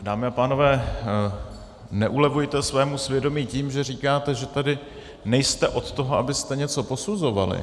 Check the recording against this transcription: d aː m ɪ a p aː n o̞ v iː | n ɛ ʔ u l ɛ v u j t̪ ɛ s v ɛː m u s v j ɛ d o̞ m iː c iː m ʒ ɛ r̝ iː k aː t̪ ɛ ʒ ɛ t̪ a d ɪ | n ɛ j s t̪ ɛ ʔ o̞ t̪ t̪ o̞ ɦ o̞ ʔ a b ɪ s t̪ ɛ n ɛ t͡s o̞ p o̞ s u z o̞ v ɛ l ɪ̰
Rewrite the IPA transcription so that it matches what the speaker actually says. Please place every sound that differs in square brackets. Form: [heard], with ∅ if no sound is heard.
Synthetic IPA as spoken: d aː m ɪ a p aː n o̞ v [ɛː] | n ɛ ʔ u l ɛ v u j t̪ ɛ s v ɛː m u s v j ɛ d o̞ m iː c iː m ʒ ɛ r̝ iː k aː t̪ ɛ ʒ ɛ t̪ a d ɪ | n ɛ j s t̪ ɛ ʔ o̞ t̪ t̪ o̞ ɦ o̞ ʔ a b ɪ s t̪ ɛ [ɲ] ɛ t͡s o̞ p o̞ s u z o̞ v [a] l ɪ̰